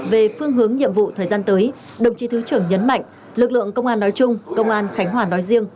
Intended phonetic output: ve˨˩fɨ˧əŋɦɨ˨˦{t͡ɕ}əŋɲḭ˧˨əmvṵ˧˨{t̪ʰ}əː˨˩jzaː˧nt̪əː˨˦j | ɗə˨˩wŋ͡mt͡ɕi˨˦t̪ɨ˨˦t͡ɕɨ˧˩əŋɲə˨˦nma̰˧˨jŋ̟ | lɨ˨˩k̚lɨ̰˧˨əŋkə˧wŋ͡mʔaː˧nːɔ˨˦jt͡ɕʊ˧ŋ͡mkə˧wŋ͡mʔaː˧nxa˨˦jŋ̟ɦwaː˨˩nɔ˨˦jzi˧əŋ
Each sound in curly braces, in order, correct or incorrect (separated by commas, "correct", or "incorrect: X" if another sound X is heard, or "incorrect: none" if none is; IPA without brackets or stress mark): incorrect: none, correct